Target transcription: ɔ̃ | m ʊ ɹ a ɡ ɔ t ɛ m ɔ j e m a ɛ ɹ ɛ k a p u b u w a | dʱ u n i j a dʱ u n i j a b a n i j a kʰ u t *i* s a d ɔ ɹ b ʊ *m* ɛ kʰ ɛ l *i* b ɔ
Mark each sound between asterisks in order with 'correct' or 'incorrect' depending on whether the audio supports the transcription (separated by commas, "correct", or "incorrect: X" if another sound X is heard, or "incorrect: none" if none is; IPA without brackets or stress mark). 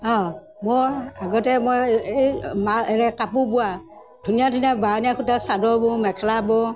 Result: incorrect: a, correct, incorrect: a